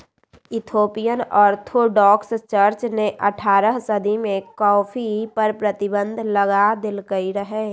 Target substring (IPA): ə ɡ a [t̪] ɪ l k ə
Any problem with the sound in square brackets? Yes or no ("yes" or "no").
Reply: yes